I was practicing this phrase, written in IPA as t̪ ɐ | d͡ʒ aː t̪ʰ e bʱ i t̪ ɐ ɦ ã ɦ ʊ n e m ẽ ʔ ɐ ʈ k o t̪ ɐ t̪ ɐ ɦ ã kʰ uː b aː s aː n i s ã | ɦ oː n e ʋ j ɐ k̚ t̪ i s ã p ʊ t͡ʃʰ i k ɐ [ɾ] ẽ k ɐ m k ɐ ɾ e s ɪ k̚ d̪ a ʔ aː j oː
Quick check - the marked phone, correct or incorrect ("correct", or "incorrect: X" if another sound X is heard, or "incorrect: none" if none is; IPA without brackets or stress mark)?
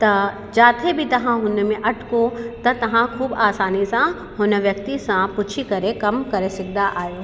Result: correct